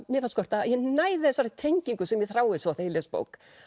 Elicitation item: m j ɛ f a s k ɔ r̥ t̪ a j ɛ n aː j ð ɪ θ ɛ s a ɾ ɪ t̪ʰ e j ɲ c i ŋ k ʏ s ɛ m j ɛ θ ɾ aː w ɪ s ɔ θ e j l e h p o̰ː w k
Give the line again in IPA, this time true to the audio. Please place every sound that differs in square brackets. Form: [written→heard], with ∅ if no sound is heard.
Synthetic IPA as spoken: m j ɛ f a s k ɔ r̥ t̪ a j ɛ n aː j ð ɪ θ ɛ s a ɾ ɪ t̪ʰ e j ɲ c i ŋ k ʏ s ɛ m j ɛ θ ɾ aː w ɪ s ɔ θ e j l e [h→s] p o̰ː w k